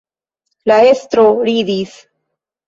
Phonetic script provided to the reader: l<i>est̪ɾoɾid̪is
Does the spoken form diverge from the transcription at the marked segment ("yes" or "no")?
yes